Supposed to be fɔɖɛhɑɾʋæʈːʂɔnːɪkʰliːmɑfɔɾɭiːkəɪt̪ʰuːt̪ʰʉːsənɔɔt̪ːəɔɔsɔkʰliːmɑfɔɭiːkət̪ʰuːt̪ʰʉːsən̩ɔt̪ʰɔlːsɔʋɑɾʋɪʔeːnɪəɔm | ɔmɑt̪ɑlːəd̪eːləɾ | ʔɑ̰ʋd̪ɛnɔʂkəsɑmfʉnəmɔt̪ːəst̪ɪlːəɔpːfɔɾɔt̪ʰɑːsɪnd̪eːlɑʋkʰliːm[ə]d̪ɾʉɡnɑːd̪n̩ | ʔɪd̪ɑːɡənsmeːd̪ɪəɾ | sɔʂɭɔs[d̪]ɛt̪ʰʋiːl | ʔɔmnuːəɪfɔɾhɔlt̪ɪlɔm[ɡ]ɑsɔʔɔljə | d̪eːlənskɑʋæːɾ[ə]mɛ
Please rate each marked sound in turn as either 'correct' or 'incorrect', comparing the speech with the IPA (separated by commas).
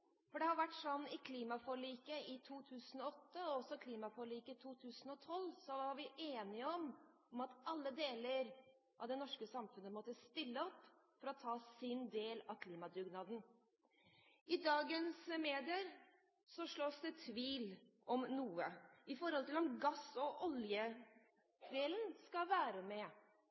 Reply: incorrect, correct, correct, correct